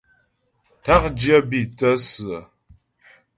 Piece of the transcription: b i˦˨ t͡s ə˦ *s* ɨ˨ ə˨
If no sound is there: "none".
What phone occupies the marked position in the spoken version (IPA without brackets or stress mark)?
s